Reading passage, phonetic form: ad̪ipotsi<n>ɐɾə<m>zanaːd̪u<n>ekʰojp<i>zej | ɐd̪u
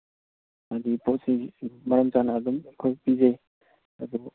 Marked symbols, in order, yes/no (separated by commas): no, yes, no, yes